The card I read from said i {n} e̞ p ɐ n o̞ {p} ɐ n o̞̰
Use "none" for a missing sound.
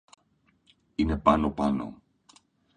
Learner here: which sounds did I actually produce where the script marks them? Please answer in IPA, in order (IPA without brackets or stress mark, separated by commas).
n, p